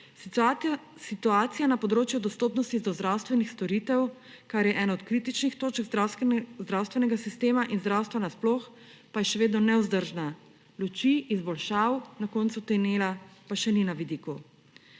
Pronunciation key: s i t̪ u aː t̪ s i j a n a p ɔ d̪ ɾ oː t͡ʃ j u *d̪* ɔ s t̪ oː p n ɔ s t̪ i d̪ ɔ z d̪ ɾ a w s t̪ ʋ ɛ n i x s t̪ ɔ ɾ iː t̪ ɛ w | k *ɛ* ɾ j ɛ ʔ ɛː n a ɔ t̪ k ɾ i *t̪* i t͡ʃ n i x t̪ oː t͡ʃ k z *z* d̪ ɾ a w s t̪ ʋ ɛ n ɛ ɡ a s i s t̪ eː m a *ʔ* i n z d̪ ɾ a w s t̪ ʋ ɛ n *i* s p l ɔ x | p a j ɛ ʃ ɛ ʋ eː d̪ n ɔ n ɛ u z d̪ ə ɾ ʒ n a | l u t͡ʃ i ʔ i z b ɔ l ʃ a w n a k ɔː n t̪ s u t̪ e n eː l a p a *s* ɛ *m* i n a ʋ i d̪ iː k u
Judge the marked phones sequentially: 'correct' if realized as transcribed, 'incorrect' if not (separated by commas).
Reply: correct, incorrect, correct, correct, correct, incorrect, incorrect, incorrect